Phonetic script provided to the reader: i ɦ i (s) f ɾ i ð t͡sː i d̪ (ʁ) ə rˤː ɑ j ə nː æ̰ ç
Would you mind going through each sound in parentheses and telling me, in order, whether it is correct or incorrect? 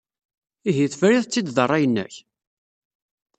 incorrect: θ, incorrect: ð

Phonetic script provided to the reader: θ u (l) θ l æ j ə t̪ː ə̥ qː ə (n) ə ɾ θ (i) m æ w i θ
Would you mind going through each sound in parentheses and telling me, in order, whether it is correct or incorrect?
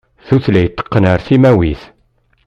incorrect: none, correct, correct

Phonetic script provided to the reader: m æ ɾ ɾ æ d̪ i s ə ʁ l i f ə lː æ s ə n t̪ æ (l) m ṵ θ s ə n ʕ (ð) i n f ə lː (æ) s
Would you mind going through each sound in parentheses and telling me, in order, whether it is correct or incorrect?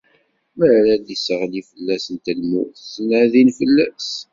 correct, correct, correct

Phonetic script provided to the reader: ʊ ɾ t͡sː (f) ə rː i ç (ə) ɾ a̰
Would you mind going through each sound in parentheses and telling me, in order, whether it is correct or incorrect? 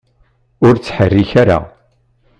incorrect: ħ, incorrect: a

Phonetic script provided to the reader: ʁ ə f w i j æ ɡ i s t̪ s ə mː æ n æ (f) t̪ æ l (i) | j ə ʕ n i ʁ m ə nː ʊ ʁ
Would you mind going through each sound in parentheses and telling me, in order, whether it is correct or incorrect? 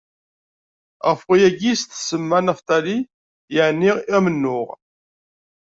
correct, correct

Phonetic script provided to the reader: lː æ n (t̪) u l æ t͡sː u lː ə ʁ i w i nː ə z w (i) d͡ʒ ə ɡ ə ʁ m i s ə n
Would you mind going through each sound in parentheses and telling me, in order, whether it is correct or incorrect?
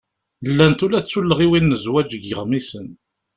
correct, incorrect: æ

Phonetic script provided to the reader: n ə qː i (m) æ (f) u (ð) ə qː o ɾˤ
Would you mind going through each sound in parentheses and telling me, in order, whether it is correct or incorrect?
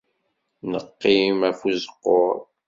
correct, correct, incorrect: z

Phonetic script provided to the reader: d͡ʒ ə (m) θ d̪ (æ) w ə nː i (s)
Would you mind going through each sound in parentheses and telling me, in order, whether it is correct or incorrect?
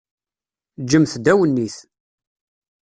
correct, correct, incorrect: θ

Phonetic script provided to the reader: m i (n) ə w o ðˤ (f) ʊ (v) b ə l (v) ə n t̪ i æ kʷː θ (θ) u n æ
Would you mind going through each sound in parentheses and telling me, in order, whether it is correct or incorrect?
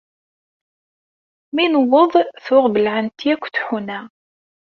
correct, incorrect: θ, incorrect: ʁ, incorrect: ʕ, incorrect: ħ

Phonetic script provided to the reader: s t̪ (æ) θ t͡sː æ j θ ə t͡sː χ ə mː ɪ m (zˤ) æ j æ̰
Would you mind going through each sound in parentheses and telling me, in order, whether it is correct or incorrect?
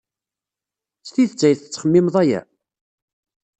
incorrect: i, incorrect: ðˤ

